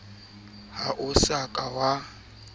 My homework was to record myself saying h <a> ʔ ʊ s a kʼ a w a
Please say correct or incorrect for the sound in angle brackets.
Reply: correct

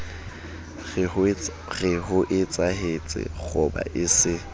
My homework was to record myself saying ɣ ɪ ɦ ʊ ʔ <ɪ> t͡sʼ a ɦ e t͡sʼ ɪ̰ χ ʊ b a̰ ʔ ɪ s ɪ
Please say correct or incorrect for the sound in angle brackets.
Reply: correct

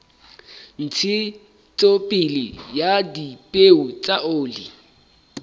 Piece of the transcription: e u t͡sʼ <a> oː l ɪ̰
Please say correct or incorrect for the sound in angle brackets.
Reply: correct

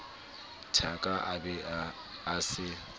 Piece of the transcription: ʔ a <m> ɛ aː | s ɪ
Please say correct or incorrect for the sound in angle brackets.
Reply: incorrect: b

